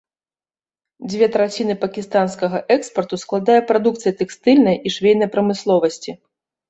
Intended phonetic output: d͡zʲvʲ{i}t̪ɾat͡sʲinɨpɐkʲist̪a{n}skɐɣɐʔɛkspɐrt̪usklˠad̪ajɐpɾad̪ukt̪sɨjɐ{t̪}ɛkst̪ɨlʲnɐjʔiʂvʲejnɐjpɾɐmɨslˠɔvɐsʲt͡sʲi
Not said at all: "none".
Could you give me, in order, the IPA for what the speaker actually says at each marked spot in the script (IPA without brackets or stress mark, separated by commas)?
ɛ, n, t̪